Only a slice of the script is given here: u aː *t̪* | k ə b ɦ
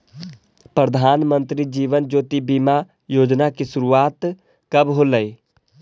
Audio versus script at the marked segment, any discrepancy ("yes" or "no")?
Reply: no